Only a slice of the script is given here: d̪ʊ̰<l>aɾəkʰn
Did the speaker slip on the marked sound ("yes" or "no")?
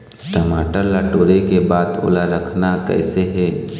no